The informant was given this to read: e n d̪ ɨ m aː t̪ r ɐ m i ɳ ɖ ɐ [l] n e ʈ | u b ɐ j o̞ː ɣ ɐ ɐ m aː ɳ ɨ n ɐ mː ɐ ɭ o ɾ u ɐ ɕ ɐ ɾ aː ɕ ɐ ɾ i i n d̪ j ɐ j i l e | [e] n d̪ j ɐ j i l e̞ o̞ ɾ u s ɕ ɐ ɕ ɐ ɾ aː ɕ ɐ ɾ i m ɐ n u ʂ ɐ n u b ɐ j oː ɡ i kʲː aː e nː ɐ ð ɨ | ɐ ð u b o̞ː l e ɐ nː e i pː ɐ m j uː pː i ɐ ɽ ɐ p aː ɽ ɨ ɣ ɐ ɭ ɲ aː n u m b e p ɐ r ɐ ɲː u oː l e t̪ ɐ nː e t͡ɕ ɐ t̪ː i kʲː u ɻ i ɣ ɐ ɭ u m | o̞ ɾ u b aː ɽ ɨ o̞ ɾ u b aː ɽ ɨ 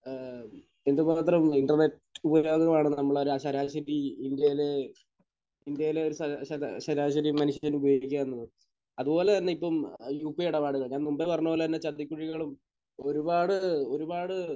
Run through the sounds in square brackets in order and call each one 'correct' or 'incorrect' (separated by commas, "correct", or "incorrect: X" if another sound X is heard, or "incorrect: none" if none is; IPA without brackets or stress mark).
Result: incorrect: r, incorrect: i